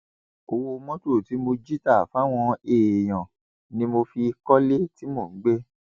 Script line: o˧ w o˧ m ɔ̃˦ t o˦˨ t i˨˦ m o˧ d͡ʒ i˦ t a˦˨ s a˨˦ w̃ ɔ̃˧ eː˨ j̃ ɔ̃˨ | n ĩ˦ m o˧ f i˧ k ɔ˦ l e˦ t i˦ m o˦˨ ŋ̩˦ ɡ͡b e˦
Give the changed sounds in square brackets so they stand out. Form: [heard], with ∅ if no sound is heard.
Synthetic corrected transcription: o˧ w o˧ m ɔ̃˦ t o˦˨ t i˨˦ m o˧ d͡ʒ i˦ t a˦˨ [f] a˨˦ w̃ ɔ̃˧ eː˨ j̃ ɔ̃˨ | n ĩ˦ m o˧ f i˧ k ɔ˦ l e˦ t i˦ m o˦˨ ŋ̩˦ ɡ͡b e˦

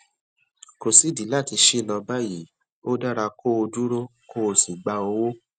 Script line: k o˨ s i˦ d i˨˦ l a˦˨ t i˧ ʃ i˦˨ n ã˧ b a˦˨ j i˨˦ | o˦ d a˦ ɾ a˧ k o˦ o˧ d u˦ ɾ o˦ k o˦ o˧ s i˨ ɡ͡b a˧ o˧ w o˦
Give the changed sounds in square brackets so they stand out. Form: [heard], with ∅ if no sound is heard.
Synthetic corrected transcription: k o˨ s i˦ d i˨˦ l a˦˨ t i˧ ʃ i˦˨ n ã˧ b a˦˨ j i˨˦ | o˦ d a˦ ɾ a˧ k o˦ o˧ d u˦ ɾ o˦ k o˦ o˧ s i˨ ɡ͡b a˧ o˧ w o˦

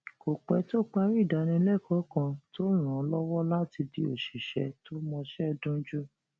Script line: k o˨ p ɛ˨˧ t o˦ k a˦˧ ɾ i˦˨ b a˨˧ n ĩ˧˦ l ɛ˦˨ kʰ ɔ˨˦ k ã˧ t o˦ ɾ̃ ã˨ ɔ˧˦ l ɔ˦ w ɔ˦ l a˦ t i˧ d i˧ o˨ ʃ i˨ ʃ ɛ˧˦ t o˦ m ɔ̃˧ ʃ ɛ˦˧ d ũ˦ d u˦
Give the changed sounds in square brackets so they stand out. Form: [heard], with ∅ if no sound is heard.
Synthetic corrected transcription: k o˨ [k͡p] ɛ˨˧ t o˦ [k͡p] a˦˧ ɾ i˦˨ [d] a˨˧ n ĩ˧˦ l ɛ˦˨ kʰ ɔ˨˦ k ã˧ t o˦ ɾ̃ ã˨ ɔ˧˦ l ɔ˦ w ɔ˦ l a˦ t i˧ d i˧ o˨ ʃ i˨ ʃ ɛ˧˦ t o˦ m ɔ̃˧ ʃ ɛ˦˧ d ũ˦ [d͡ʒ] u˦

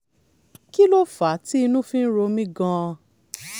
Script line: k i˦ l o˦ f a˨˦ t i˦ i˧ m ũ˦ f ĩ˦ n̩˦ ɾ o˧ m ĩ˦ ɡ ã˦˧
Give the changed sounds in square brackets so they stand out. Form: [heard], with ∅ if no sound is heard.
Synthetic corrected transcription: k i˦ l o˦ f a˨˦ t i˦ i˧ [n] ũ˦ f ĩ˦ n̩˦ ɾ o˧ m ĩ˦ ɡ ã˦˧

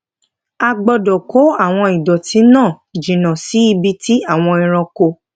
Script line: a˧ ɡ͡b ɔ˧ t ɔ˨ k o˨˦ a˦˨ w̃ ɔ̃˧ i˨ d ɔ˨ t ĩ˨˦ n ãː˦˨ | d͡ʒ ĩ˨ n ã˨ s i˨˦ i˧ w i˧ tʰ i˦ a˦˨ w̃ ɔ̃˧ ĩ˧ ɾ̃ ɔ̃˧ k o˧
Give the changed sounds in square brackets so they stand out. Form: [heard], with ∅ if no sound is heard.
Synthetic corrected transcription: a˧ ɡ͡b ɔ˧ [d] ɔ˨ k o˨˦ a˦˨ w̃ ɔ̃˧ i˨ d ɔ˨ t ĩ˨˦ n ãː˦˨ | d͡ʒ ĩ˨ n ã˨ s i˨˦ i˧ [b] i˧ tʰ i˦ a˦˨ w̃ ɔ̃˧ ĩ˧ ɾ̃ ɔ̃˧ k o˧

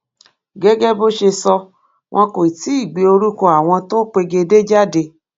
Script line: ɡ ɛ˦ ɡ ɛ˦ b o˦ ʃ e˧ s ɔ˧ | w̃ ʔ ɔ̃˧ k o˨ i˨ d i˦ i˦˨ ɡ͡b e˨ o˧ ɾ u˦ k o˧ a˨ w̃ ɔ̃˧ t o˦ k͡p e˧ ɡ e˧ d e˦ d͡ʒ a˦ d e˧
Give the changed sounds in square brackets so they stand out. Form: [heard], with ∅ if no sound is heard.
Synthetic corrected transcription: ɡ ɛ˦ ɡ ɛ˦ b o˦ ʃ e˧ s ɔ˧ | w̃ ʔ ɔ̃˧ k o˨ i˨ [t] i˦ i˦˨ ɡ͡b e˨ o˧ ɾ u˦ k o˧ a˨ w̃ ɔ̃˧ t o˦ k͡p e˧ ɡ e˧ d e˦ d͡ʒ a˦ d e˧

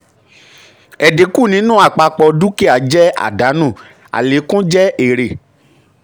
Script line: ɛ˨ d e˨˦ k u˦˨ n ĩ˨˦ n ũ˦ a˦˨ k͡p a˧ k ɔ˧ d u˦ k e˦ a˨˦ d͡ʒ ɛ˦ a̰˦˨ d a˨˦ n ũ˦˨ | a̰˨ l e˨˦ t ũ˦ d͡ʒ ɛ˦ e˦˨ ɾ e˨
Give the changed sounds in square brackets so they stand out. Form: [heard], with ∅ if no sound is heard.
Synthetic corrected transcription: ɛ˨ d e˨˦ k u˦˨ n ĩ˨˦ n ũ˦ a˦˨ k͡p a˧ [k͡p] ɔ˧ d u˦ k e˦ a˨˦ d͡ʒ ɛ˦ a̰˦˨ d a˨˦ n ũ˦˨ | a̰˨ l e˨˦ [k] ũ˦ d͡ʒ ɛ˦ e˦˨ ɾ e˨

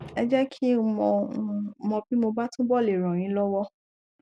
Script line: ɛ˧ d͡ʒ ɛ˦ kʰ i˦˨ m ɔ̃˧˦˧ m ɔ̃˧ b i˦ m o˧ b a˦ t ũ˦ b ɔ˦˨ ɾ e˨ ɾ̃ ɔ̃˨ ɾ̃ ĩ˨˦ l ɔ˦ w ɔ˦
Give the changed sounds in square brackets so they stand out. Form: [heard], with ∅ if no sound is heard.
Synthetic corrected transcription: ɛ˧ d͡ʒ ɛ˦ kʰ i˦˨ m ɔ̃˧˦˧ m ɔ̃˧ b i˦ m o˧ b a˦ t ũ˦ b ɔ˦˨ [l] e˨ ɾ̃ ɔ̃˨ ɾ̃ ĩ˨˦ l ɔ˦ w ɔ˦

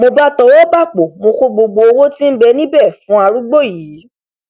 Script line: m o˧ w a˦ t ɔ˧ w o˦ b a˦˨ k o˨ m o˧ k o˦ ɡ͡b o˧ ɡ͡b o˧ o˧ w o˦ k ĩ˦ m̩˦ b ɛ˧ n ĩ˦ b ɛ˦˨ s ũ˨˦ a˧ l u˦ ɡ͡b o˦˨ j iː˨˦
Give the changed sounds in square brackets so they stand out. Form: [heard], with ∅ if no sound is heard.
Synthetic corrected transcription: m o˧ [b] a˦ t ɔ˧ w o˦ b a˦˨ [k͡p] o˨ m o˧ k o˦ ɡ͡b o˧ ɡ͡b o˧ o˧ w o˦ [t] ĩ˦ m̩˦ b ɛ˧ n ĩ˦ b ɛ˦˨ [f] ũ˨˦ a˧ [ɾ] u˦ ɡ͡b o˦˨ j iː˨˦

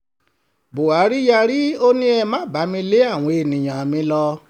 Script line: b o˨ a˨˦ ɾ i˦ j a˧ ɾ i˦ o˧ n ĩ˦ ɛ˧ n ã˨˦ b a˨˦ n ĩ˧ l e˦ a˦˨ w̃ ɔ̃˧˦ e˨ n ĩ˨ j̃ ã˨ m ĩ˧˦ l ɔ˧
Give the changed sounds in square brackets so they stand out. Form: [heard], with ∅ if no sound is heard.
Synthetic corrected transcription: b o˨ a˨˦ ɾ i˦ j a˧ ɾ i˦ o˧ n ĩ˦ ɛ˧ [m] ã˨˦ b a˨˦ [m] ĩ˧ l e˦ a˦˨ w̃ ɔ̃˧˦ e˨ n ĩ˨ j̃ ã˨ m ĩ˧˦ l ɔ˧

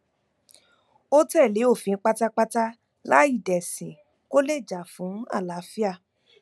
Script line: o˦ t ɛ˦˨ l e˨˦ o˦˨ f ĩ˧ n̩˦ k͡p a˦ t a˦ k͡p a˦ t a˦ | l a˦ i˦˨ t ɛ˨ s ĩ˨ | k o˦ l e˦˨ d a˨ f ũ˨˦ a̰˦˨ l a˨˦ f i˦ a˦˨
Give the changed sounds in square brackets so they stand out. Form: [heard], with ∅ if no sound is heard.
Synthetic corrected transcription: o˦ t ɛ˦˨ l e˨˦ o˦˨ f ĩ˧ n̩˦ k͡p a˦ t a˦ k͡p a˦ t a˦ | l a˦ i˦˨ [d] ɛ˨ s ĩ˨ | k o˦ l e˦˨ [d͡ʒ] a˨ f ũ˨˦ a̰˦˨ l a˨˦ f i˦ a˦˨

